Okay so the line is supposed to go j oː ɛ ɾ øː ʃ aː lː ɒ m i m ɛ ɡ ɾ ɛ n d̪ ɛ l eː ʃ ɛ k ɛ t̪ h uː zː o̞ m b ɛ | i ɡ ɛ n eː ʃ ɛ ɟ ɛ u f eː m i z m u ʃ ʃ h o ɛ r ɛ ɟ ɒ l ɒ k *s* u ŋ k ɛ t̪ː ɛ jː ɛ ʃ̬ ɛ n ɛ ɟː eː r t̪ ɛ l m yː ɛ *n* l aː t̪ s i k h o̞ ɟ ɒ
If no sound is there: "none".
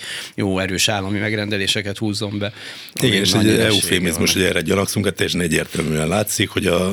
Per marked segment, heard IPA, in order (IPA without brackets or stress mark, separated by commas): s, n